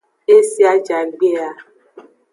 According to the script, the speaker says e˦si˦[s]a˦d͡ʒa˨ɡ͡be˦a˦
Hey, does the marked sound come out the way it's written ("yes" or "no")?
no